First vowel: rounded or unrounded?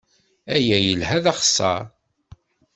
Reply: unrounded